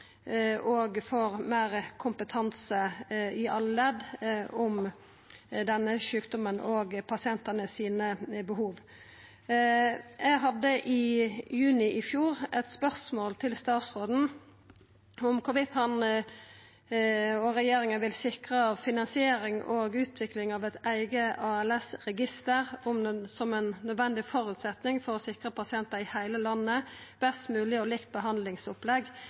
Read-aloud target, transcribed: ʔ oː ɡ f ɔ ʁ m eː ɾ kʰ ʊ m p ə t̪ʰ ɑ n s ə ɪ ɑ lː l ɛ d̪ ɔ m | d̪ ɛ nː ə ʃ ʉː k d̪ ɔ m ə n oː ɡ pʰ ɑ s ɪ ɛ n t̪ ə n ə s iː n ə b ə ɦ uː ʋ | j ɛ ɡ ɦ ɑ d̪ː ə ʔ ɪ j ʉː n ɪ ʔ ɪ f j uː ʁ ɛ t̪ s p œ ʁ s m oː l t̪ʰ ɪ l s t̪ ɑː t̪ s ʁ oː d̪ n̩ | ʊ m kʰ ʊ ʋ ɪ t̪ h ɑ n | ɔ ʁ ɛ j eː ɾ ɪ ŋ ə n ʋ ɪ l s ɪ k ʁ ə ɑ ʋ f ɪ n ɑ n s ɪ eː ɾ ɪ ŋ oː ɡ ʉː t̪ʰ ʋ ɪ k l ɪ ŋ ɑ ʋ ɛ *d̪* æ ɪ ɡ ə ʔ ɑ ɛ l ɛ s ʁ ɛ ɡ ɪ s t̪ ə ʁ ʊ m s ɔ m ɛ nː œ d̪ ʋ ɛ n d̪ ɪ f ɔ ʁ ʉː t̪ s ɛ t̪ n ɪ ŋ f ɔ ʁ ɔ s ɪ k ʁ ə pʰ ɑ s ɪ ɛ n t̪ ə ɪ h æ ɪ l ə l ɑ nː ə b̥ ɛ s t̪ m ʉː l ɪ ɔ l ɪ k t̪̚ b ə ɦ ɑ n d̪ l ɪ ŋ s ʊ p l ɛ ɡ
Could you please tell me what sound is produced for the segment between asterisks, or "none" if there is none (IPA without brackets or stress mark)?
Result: t̪